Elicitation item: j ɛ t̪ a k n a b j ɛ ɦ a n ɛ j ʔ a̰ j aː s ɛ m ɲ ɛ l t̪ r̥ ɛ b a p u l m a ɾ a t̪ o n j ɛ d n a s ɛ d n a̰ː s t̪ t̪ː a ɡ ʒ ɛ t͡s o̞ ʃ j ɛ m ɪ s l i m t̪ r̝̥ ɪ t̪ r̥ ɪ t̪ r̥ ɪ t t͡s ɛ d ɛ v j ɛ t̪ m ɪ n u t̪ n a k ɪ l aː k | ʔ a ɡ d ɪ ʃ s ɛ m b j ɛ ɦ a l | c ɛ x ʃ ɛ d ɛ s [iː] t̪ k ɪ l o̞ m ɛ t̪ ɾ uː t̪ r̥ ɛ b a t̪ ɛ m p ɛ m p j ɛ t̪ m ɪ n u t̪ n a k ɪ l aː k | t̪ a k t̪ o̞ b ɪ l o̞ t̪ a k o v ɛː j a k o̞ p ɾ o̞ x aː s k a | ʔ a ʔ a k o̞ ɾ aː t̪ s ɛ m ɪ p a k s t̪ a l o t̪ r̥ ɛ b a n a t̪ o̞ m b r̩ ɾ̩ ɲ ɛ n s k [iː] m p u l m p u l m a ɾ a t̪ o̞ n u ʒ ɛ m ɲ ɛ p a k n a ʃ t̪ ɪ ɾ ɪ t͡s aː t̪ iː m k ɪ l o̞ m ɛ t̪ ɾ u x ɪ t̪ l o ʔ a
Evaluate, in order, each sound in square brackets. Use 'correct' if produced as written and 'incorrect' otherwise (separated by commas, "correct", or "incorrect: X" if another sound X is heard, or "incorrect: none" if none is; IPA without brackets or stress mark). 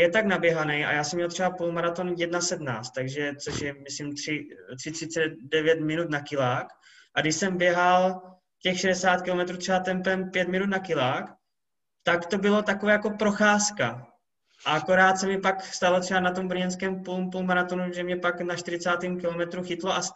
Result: incorrect: aː, incorrect: ɛː